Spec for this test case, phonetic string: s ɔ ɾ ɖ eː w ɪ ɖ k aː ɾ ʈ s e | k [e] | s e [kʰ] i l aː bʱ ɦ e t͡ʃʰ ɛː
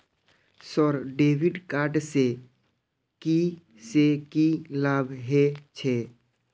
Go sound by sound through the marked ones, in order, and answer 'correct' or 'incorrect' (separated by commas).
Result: incorrect, incorrect